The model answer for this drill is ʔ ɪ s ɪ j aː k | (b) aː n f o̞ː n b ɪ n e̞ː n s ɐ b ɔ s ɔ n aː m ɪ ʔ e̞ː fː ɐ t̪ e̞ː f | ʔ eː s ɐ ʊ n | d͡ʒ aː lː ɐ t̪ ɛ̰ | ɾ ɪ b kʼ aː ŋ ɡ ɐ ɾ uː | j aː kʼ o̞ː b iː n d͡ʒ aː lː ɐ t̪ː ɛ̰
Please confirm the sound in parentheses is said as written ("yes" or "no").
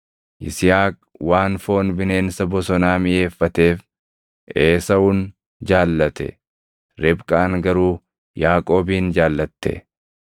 no